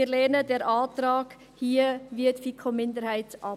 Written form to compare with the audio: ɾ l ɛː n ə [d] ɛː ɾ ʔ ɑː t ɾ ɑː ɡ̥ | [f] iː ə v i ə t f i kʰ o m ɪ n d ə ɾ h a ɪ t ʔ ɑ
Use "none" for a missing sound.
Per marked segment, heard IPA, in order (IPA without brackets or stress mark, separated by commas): d, h